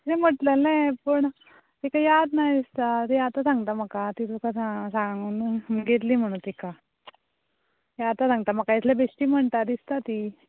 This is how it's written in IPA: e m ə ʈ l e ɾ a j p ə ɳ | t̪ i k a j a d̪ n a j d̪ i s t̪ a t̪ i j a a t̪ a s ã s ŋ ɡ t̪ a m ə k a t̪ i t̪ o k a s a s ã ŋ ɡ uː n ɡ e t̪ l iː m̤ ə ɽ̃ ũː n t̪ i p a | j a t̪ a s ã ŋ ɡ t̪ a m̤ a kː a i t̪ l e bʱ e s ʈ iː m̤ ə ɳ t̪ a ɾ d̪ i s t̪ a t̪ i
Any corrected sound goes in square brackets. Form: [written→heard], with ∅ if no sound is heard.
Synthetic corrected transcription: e m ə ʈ l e [ɾ→l] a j p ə ɳ | t̪ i k a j a d̪ n a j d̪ i s t̪ a t̪ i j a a t̪ a s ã [s→∅] ŋ ɡ t̪ a m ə k a t̪ i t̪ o k a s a s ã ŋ ɡ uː n ɡ e t̪ l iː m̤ ə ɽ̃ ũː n t̪ i [p→k] a | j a t̪ a s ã ŋ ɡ t̪ a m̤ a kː a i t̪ l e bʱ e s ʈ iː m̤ ə ɳ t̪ a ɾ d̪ i s t̪ a t̪ i